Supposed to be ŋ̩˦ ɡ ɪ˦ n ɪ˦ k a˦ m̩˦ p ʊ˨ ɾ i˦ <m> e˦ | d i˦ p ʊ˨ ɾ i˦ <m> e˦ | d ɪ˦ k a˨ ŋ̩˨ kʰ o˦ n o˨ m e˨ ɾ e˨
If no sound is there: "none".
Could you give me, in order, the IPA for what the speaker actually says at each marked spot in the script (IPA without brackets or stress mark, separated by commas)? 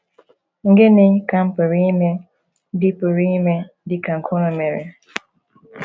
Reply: m, m